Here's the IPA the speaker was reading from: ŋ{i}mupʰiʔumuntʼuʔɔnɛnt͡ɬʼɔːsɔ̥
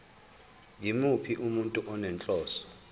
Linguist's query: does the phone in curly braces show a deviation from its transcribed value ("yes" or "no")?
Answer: no